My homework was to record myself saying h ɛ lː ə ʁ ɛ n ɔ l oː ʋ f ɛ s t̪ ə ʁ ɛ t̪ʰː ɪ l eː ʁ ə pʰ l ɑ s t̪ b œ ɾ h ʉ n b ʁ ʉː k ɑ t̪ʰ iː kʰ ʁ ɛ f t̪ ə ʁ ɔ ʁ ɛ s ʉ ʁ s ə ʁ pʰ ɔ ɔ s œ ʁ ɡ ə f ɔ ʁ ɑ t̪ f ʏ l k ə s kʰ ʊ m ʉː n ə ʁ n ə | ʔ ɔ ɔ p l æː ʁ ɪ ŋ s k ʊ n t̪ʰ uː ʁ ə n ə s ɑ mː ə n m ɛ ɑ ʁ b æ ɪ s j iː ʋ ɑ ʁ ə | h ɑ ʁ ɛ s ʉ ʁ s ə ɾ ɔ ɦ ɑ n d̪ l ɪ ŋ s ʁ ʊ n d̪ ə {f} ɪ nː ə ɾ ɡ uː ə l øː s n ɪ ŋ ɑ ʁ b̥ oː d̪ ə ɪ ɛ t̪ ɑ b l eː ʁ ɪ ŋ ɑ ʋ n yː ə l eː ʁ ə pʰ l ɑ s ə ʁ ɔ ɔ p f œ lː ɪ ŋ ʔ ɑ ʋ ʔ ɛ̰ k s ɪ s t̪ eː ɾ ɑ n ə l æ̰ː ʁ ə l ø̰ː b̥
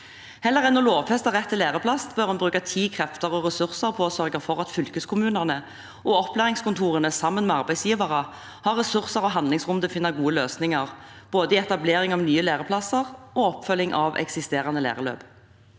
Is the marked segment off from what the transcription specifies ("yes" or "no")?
no